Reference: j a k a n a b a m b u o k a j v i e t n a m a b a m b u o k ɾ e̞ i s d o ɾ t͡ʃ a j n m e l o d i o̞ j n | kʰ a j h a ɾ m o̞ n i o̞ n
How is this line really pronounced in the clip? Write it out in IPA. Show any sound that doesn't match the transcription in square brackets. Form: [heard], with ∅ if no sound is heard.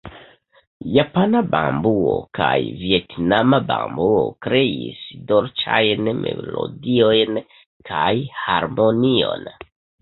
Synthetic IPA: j a [p] a n a b a m b u o k a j v i e t n a m a b a m b u o k ɾ e̞ i s d o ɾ t͡ʃ a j n m e l o d i o̞ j n | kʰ a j h a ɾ m o̞ n i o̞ n